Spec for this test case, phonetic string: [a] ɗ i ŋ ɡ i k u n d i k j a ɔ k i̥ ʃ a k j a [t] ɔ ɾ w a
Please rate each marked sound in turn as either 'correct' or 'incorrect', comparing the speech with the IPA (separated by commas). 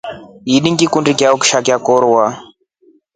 incorrect, incorrect